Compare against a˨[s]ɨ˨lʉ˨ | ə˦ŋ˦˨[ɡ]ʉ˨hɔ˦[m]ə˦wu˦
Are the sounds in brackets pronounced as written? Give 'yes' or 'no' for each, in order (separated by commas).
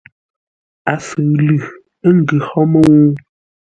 yes, yes, yes